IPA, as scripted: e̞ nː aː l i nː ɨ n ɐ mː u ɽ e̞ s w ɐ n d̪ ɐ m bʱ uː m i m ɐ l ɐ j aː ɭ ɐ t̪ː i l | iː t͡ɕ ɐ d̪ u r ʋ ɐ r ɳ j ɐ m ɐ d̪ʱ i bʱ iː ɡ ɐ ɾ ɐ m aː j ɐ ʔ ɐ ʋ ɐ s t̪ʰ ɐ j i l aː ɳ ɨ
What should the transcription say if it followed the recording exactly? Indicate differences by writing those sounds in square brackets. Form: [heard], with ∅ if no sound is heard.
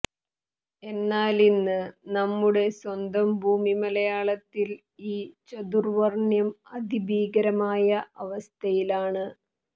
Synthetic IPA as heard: e̞ nː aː l i nː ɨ n ɐ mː u ɽ e̞ s w ɐ n d̪ ɐ m bʱ uː m i m ɐ l ɐ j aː ɭ ɐ t̪ː i l | iː t͡ɕ ɐ d̪ u r ʋ ɐ r ɳ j ɐ m ɐ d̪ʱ i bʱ iː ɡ ɐ ɾ ɐ m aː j ɐ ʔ ɐ ʋ ɐ s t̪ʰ ɐ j i l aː ɳ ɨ